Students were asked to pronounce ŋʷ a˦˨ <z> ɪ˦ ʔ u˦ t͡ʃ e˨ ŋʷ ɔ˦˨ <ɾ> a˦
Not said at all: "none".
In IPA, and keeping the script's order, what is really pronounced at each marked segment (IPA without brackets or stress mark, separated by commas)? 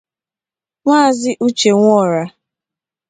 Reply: z, ɾ